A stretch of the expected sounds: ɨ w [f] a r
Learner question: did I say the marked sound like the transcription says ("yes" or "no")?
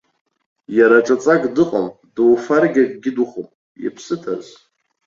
yes